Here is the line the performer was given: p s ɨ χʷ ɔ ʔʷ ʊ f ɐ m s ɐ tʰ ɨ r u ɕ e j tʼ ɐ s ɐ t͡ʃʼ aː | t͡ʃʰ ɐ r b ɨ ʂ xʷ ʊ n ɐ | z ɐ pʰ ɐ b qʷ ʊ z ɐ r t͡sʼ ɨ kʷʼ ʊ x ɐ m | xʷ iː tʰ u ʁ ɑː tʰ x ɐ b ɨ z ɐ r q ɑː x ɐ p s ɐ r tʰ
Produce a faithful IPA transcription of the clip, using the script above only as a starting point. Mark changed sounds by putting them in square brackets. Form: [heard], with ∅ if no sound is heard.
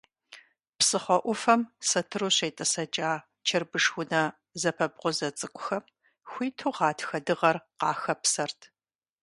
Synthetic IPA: p s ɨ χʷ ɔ ʔʷ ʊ f ɐ m s ɐ tʰ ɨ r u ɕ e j tʼ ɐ s ɐ t͡ʃʼ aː | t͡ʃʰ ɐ r b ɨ ʂ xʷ ʊ n ɐ | z ɐ pʰ ɐ b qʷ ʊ z ɐ [∅] t͡sʼ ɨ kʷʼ ʊ x ɐ m | xʷ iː tʰ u ʁ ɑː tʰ x ɐ [d] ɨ [ʁ] ɐ r q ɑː x ɐ p s ɐ r tʰ